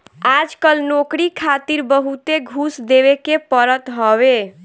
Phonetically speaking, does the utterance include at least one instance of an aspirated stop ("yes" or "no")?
yes